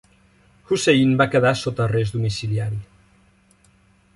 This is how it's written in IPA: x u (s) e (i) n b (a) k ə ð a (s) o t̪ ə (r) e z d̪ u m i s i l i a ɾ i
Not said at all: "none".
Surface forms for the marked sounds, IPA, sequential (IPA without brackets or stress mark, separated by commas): s, i, a, s, r